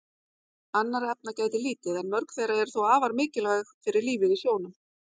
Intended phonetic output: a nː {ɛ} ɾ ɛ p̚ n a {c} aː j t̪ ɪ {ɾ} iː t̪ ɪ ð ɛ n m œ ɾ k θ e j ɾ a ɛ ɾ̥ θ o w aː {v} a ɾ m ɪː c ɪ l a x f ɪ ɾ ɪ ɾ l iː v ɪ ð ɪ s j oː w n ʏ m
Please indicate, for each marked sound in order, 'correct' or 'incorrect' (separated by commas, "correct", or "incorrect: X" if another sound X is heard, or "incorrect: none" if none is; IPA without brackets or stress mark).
incorrect: a, correct, incorrect: l, correct